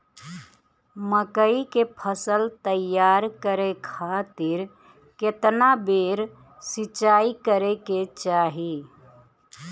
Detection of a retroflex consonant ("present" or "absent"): absent